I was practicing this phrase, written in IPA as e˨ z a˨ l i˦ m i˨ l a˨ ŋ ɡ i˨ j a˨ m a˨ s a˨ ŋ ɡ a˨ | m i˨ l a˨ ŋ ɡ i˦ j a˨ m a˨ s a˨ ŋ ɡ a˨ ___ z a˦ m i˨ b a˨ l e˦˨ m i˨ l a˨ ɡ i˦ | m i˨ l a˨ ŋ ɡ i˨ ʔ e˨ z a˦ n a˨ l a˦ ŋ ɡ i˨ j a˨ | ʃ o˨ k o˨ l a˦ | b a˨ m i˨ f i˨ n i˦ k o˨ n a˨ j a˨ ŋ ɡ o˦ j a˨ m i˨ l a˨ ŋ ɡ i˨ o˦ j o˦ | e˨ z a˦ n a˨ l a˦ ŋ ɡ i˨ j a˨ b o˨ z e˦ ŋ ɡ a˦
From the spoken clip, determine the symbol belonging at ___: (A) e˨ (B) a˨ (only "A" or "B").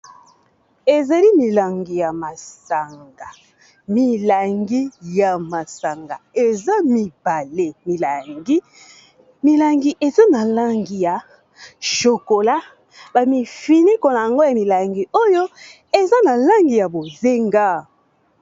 A